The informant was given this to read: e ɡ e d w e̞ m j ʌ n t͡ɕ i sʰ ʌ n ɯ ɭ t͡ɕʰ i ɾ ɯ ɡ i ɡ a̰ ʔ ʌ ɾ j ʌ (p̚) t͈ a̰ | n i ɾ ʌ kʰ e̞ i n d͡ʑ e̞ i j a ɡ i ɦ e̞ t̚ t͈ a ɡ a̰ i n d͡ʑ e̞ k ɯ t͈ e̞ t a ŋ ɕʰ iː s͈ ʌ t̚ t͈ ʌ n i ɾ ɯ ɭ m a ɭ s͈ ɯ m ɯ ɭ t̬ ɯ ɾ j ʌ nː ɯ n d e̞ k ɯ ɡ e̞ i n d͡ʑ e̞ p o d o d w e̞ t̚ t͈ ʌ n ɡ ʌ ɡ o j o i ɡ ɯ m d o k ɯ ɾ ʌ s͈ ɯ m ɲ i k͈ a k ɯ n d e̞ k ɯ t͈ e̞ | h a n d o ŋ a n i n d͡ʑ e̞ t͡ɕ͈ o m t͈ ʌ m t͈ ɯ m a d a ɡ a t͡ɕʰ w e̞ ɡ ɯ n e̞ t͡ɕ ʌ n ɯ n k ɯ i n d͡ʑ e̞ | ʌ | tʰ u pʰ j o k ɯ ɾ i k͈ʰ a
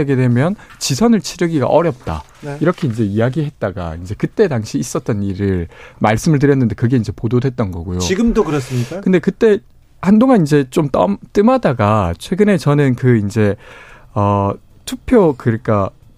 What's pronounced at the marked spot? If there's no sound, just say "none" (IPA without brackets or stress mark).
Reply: p̚